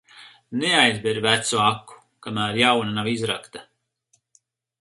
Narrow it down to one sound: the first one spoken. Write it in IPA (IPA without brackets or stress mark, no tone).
n